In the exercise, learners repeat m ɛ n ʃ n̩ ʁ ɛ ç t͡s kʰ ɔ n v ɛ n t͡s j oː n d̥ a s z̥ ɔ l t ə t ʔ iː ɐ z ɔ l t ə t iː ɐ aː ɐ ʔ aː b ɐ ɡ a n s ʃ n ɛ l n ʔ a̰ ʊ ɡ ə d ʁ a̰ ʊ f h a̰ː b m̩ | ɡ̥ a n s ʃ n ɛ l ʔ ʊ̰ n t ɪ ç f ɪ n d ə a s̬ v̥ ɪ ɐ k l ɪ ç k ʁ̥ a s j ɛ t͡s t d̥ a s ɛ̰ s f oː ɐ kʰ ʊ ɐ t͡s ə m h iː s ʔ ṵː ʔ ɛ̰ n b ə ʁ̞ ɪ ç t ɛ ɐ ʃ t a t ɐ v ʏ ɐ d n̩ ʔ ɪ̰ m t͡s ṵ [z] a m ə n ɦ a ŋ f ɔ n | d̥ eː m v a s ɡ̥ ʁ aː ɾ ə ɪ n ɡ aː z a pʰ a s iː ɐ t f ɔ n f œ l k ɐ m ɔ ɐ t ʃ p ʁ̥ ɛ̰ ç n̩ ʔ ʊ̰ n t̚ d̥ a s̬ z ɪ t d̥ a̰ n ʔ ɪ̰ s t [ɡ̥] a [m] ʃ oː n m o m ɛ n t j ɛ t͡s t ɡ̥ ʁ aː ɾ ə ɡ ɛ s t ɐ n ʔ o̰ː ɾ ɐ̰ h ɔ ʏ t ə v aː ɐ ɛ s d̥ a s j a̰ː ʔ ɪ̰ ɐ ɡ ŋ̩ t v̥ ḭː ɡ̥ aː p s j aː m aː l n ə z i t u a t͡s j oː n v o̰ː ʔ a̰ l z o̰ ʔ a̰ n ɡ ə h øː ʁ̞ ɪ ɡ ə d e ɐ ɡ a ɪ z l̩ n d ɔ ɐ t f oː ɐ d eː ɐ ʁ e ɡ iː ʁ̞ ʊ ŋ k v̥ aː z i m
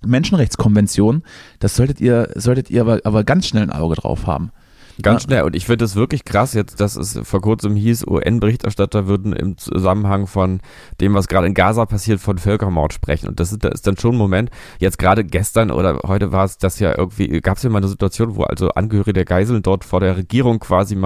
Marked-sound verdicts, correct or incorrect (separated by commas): correct, incorrect, incorrect